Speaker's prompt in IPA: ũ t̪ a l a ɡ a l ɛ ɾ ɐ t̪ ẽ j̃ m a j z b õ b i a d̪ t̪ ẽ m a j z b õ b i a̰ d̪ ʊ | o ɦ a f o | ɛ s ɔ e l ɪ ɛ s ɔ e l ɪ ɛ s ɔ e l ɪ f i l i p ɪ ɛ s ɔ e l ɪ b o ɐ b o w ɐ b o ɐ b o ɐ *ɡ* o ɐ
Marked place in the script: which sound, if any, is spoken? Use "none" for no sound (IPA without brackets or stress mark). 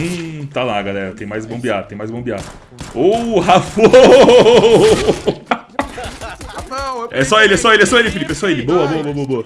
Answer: b